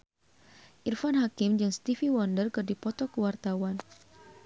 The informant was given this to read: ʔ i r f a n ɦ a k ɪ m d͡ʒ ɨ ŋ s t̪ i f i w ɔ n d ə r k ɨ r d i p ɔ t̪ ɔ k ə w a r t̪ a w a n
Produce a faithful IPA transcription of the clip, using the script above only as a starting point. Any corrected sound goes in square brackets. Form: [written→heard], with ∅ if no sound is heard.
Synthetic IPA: ʔ i r f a n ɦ a k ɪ m d͡ʒ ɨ ŋ s t̪ i f i w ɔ n d ə r k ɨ r d i p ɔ t̪ ɔ k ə w a r t̪ a w a n